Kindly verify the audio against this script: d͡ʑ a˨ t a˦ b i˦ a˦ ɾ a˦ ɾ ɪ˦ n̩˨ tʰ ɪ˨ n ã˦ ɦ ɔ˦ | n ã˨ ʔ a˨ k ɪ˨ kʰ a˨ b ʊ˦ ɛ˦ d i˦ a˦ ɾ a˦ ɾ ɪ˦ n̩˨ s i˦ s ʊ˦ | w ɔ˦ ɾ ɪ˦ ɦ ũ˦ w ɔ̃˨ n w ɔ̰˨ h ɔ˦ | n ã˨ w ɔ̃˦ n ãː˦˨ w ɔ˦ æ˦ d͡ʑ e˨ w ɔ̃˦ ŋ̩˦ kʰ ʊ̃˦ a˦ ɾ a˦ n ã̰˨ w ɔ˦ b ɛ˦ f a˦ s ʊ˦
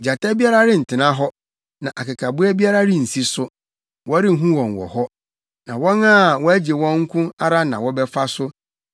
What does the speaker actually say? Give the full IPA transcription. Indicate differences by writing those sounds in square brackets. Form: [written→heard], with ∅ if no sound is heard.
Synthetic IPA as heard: d͡ʑ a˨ t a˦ b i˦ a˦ ɾ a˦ ɾ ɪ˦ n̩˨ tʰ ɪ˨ n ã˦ ɦ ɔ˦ | n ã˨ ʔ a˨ k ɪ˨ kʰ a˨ b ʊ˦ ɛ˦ [d→b] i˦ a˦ ɾ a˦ ɾ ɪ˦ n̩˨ s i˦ s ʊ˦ | w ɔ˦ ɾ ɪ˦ ɦ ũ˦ w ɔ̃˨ n w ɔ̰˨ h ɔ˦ | n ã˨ w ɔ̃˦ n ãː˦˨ w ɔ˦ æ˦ d͡ʑ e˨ w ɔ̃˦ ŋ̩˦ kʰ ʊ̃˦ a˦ ɾ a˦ n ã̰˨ w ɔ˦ b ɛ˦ f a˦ s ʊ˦

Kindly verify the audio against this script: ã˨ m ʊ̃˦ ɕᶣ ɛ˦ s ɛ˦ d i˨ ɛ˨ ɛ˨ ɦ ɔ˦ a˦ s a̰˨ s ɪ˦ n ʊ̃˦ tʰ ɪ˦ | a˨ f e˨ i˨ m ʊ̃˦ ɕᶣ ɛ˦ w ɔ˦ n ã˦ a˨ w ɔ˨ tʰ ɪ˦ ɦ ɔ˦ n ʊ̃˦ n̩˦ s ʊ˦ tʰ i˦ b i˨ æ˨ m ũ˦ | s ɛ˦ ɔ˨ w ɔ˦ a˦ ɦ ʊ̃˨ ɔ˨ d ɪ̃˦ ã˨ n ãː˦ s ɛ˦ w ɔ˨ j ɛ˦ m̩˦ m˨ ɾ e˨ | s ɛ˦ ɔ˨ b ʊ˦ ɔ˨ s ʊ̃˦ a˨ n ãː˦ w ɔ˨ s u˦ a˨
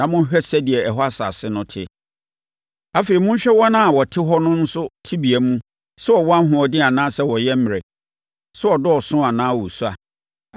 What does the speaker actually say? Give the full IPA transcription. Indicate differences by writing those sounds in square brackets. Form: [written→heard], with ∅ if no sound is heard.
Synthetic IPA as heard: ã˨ m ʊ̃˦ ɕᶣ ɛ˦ s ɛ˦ d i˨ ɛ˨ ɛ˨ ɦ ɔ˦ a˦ s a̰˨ s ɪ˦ n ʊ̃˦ tʰ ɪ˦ | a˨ f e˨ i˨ m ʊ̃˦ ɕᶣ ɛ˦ w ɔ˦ n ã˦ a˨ w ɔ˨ tʰ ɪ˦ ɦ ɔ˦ n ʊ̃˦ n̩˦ s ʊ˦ tʰ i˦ b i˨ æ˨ m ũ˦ | s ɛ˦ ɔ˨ w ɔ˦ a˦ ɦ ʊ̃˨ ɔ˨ d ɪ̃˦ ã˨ n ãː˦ s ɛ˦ w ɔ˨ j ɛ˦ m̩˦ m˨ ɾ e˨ | s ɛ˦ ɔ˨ [b→d] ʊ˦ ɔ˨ s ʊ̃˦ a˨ n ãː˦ w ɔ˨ s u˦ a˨

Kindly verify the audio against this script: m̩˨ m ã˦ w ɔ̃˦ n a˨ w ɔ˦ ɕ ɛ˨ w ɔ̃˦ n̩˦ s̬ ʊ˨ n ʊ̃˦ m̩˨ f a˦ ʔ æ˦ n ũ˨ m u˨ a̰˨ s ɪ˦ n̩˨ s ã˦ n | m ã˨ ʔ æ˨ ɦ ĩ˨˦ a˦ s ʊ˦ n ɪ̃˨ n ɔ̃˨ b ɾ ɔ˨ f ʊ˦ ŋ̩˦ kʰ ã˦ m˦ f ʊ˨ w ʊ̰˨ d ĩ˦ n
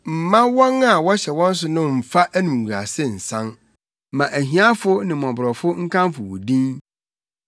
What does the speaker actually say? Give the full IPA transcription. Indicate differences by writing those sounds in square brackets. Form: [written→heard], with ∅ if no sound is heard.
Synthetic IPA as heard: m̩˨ m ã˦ w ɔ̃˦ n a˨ w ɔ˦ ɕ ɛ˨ w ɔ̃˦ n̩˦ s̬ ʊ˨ n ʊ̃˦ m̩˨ f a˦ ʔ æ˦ n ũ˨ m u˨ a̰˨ s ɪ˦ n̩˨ s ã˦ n | m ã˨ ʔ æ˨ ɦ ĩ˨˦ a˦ [s→f] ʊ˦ n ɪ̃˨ [n→m] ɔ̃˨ b ɾ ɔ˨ f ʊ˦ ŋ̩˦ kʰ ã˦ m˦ f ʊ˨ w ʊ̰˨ d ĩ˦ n

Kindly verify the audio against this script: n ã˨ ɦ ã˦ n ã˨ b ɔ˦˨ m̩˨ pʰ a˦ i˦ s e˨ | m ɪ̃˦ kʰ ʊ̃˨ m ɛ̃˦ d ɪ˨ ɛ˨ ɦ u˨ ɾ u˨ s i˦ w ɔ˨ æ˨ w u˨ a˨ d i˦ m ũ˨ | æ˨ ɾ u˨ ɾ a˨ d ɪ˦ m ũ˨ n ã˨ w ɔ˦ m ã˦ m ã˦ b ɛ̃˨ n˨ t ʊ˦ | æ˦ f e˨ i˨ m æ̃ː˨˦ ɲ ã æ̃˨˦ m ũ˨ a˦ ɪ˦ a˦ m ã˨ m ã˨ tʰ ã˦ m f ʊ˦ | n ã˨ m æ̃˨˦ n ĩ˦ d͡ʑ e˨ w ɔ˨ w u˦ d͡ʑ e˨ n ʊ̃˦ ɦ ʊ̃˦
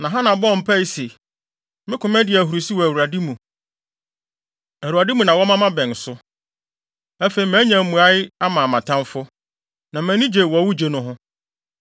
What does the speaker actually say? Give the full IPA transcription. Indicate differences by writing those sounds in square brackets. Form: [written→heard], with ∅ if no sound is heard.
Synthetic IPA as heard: n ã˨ ɦ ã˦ n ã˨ b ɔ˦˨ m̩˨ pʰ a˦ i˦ s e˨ | m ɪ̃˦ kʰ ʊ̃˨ m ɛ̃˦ d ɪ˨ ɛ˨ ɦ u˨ ɾ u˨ s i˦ w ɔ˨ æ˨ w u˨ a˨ d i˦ m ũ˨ | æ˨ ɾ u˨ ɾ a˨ d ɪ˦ m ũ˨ n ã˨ w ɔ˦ m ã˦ m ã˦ b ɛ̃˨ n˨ [t→s] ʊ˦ | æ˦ f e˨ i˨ m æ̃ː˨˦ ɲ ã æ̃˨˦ m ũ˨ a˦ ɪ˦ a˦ m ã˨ m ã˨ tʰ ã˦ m f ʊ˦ | n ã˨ m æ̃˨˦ n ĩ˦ d͡ʑ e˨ w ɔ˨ w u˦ d͡ʑ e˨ n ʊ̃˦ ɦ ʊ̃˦

